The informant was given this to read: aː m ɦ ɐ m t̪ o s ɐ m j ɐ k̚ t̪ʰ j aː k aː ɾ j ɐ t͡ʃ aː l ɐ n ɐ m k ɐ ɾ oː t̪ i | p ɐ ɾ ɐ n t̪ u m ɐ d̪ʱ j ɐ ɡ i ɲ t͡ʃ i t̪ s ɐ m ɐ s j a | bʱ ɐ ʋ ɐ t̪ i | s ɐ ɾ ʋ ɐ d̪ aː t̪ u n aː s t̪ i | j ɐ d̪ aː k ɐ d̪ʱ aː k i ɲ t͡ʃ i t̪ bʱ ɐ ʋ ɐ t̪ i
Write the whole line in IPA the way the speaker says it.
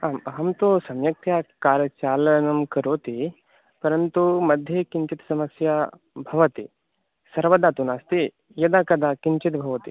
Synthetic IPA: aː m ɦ ɐ m t̪ o s ɐ m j ɐ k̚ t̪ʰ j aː k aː ɾ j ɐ t͡ʃ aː l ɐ n ɐ m k ɐ ɾ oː t̪ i | p ɐ ɾ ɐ n t̪ u m ɐ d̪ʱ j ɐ k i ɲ t͡ʃ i t̪ s ɐ m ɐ s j a | bʱ ɐ ʋ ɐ t̪ i | s ɐ ɾ ʋ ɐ d̪ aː t̪ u n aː s t̪ i | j ɐ d̪ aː k ɐ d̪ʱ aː k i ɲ t͡ʃ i t̪ bʱ ɐ ʋ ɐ t̪ i